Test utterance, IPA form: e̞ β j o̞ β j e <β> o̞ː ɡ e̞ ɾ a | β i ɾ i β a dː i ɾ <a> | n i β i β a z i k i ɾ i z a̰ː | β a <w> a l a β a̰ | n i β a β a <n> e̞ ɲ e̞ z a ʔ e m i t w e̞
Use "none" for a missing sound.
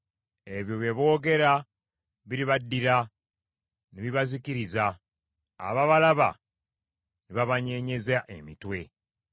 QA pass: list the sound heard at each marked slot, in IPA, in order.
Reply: β, a, β, ɲ

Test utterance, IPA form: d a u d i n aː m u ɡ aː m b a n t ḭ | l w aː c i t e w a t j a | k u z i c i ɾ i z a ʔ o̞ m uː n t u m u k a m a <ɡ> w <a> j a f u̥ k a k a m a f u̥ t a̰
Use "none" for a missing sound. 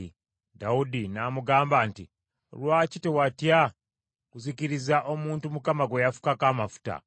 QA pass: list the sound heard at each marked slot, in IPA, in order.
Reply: ɡ, e

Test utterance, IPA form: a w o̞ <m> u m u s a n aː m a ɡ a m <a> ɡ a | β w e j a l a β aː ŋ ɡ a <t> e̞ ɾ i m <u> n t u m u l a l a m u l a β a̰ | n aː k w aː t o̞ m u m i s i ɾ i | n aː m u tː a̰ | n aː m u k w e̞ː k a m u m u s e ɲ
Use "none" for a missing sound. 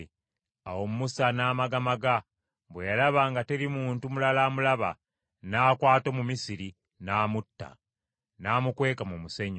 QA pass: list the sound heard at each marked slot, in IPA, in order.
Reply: m, a, t, uː

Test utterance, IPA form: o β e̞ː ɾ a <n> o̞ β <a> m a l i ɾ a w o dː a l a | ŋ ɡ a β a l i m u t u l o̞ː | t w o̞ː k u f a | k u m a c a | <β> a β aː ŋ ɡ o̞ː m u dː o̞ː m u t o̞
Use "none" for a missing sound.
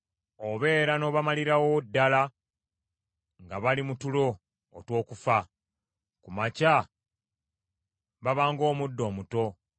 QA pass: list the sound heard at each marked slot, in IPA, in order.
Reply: n, a, β

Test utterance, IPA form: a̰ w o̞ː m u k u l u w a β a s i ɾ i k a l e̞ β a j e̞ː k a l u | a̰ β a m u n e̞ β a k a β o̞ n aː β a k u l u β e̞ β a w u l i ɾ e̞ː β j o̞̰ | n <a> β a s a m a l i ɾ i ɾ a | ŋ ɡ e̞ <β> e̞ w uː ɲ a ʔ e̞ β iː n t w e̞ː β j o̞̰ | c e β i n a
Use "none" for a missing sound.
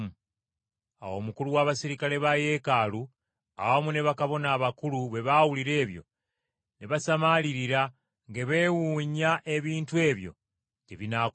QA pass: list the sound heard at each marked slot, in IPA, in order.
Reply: e, β

